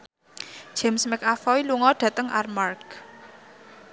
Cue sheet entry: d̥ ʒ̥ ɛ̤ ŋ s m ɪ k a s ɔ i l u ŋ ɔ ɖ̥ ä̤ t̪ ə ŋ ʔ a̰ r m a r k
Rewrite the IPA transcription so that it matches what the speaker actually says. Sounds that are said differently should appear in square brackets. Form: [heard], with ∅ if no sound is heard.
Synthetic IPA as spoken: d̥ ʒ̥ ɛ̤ [m] s m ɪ k a [f] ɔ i l u ŋ ɔ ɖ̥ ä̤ t̪ ə ŋ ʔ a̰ r m a r k